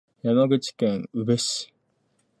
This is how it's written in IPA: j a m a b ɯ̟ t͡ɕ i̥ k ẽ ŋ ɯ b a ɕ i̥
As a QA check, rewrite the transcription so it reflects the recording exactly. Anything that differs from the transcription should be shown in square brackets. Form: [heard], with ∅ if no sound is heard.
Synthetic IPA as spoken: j a m a [ɡ] ɯ̟ t͡ɕ i̥ k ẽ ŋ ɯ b [e] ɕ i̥